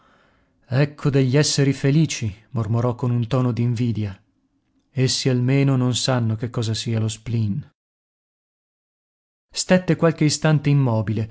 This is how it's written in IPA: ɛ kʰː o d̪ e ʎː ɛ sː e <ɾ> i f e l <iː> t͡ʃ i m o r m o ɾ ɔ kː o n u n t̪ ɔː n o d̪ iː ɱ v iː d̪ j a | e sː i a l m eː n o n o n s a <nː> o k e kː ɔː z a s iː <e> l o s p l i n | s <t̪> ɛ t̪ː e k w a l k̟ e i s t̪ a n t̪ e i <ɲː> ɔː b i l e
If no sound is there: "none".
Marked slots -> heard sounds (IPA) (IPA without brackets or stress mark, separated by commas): ɾ, iː, nː, a, t̪, mː